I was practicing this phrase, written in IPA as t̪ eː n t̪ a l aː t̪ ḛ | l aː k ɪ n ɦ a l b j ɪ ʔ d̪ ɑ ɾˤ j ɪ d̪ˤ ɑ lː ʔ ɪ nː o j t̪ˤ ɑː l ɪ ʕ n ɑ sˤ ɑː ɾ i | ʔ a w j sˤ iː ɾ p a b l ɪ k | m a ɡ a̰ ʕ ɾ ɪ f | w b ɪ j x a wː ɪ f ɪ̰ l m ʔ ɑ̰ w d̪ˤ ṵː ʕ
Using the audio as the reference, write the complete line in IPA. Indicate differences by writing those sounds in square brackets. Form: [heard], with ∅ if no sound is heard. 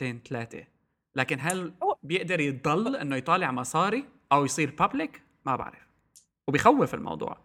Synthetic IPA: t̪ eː n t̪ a l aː t̪ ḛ | l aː k ɪ n ɦ a l b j ɪ ʔ d̪ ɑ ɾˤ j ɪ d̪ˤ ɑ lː ʔ ɪ nː o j t̪ˤ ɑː l ɪ ʕ [m] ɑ sˤ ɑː ɾ i | ʔ a w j sˤ iː ɾ p a b l ɪ k | m a [b] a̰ ʕ ɾ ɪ f | w b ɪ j x a wː ɪ f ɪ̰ l m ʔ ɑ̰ w d̪ˤ ṵː ʕ